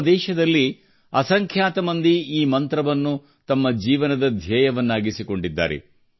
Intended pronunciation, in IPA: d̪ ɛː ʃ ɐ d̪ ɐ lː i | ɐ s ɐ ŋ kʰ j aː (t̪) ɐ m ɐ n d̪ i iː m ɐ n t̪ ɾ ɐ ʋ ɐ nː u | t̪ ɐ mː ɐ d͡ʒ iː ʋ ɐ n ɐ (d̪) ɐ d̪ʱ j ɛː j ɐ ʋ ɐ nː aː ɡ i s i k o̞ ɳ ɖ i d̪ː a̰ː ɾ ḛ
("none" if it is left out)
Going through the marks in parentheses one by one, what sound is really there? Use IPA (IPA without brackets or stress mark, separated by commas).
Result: t̪, d̪